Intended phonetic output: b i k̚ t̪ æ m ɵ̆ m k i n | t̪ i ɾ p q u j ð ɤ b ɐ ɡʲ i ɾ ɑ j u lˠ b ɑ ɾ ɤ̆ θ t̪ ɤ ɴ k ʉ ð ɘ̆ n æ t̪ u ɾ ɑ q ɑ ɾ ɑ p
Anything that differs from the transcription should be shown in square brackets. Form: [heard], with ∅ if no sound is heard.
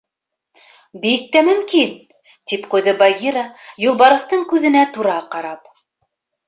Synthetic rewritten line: b i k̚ t̪ æ m ɵ̆ m k i n | t̪ i [∅] p q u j ð ɤ b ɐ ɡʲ i ɾ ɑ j u lˠ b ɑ ɾ ɤ̆ θ t̪ ɤ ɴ k ʉ ð ɘ̆ n æ t̪ u ɾ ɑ q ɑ ɾ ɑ p